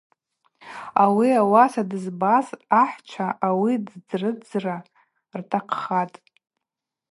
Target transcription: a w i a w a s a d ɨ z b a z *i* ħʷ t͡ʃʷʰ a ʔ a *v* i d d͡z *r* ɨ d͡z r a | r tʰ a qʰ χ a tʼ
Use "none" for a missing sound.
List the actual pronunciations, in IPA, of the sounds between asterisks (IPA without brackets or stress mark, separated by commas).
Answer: a, w, r